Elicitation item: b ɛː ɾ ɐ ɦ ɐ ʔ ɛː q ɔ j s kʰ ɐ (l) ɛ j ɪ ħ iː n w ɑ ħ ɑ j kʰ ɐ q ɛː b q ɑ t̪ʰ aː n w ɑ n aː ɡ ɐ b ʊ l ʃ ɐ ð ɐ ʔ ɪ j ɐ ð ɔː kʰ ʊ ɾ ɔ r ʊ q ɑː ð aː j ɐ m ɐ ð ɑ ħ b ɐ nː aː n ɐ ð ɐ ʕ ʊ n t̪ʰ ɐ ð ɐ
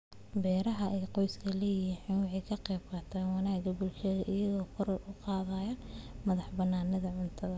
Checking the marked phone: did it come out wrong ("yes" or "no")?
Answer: no